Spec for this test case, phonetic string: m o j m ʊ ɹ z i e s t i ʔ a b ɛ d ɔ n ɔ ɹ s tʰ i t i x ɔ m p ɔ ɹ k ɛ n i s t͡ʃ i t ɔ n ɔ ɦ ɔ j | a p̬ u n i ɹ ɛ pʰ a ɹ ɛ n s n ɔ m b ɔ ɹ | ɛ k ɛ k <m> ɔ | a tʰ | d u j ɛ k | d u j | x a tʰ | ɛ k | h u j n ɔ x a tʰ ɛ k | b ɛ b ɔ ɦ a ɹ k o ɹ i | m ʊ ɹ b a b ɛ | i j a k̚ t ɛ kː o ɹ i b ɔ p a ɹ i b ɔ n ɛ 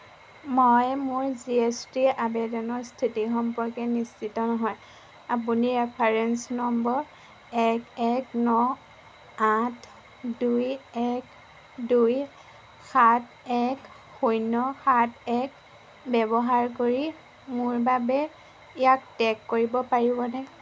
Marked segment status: incorrect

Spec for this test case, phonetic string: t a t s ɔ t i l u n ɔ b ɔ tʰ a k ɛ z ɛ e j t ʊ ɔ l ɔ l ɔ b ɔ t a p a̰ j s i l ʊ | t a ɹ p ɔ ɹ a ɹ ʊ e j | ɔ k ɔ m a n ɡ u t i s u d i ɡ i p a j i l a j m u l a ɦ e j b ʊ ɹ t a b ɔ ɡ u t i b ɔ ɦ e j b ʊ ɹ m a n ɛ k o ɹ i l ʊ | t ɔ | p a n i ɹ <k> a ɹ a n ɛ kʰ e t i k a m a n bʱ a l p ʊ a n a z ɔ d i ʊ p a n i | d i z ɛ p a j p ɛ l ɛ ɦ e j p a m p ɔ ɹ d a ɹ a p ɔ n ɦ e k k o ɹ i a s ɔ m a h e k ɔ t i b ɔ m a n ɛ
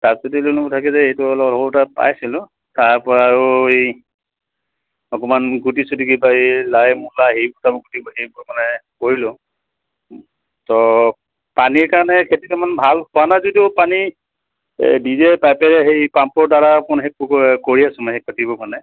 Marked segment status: correct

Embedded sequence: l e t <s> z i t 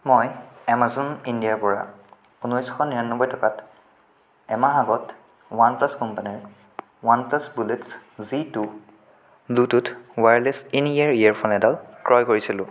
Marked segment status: correct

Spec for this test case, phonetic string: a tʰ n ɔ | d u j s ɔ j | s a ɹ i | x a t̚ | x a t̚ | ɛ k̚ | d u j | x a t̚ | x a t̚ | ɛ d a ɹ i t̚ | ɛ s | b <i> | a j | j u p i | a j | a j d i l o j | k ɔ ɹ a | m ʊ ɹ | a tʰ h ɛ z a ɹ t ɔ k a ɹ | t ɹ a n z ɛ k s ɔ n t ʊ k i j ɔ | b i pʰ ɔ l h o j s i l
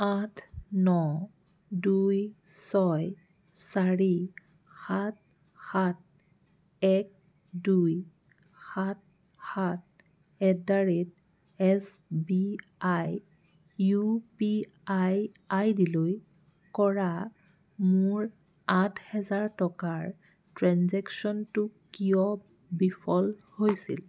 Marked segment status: correct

